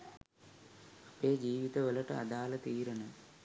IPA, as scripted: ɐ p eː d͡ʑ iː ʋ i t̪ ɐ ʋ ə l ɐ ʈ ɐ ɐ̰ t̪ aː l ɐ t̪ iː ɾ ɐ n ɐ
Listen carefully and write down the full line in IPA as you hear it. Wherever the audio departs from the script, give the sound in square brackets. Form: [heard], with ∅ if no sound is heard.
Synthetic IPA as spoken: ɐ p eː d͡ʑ iː ʋ i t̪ ɐ ʋ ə l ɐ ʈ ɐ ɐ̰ [d̪] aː l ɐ t̪ iː ɾ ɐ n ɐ

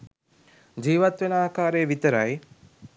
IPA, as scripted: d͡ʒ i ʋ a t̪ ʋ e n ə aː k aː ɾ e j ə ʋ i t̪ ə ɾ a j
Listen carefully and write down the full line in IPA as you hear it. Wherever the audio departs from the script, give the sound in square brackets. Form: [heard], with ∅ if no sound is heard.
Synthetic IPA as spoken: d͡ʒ [iː] ʋ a t̪ ʋ e n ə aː k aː ɾ e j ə ʋ i t̪ ə ɾ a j

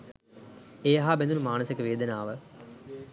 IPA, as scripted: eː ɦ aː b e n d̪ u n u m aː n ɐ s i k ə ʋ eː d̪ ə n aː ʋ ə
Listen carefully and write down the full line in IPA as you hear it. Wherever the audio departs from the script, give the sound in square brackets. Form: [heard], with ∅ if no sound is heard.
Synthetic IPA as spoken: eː ɦ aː b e n d̪ u n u m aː n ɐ s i k ə ʋ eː d̪ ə n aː ʋ ə

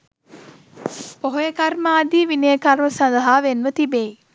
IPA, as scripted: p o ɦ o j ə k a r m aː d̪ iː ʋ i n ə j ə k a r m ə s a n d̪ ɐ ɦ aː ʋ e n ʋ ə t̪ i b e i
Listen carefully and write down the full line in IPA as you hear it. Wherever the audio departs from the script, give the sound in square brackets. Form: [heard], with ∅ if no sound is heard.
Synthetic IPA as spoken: p o ɦ o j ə k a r m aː d̪ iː ʋ i n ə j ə k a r m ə s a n d̪ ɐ ɦ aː ʋ e n ʋ ə t̪ i b e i

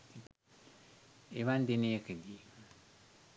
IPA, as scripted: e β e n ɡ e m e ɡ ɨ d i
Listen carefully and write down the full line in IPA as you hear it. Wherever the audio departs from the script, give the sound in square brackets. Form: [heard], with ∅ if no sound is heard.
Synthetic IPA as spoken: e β [a] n [d] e [n] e [k] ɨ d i

